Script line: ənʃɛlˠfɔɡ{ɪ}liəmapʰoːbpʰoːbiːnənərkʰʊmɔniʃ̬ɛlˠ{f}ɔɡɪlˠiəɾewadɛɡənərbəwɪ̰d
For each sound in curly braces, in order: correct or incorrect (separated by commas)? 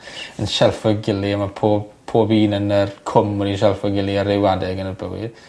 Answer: correct, correct